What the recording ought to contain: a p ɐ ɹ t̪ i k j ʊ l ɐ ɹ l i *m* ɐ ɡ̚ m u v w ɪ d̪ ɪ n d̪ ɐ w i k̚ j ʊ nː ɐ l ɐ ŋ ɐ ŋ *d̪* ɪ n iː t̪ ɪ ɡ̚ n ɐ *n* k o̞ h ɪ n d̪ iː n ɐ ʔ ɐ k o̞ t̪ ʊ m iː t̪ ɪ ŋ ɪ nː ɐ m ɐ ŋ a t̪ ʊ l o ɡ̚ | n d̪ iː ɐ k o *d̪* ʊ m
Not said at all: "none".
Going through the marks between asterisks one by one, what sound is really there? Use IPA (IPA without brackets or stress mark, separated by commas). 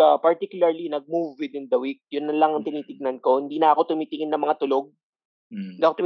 n, t̪, n, t̪